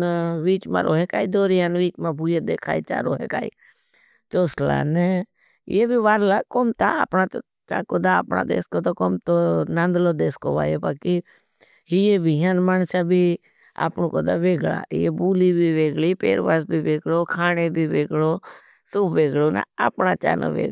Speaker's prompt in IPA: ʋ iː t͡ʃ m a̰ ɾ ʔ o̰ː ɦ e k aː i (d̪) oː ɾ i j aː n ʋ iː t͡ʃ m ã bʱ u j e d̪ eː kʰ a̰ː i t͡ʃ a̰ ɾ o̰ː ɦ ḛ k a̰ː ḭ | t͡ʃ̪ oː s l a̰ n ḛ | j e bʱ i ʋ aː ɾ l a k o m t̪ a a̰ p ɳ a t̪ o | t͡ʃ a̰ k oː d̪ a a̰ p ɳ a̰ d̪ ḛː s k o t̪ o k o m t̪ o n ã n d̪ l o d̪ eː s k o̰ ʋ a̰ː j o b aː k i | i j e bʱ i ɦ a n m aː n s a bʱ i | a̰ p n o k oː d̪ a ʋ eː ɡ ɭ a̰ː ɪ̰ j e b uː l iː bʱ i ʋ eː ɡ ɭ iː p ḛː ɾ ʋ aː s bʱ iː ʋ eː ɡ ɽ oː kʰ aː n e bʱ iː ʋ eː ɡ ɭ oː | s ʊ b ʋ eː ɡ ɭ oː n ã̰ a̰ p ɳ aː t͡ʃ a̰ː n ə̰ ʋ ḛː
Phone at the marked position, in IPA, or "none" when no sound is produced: d̪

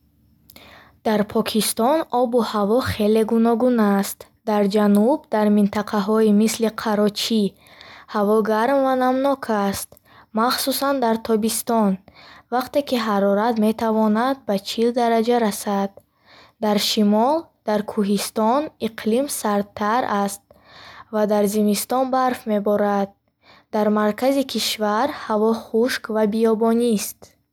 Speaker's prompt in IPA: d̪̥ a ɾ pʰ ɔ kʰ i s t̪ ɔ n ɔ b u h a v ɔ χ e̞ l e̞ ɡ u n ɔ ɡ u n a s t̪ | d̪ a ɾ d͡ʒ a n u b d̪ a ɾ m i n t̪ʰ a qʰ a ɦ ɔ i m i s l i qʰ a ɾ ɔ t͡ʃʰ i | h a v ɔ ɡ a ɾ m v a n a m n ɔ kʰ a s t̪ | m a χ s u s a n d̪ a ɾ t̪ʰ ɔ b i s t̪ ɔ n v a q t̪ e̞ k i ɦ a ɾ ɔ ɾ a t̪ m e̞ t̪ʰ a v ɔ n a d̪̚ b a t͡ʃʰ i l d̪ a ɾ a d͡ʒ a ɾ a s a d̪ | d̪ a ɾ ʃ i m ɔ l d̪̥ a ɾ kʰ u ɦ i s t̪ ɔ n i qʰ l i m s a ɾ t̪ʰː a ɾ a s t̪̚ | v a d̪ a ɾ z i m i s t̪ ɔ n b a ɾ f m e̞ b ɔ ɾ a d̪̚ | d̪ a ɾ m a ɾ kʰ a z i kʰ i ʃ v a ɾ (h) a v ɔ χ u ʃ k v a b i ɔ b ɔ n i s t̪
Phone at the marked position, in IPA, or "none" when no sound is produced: h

